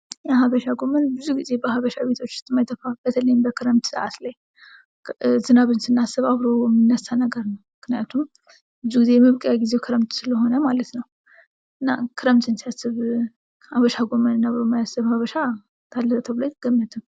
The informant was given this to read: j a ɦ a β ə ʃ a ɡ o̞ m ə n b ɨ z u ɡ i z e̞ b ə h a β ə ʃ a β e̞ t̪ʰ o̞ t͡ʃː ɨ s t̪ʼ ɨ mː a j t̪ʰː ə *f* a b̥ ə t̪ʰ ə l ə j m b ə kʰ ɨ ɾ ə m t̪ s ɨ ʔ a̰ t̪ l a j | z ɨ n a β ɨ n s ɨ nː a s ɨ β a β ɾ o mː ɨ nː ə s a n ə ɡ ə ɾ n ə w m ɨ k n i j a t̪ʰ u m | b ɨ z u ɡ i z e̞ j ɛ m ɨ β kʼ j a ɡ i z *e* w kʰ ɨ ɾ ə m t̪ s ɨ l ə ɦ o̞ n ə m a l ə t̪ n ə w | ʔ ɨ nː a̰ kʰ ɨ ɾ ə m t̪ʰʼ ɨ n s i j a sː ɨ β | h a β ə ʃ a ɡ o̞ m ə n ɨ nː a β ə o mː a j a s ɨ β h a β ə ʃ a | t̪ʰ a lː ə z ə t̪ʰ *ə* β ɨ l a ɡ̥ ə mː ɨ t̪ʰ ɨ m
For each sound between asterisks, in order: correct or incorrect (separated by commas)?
correct, correct, correct